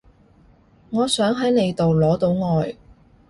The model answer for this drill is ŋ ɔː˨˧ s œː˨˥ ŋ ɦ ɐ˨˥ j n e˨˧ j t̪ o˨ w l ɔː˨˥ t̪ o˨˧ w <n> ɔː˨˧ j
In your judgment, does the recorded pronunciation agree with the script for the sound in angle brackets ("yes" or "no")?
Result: no